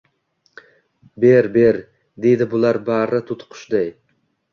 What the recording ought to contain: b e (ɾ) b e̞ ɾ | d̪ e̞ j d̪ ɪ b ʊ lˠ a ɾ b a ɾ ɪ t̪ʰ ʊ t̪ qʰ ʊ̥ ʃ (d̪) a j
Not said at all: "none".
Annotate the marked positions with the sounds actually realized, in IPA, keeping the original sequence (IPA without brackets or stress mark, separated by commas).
ɾ, d̪